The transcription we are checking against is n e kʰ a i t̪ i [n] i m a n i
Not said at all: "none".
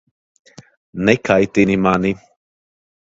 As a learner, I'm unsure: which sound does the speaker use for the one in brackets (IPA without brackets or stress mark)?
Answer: n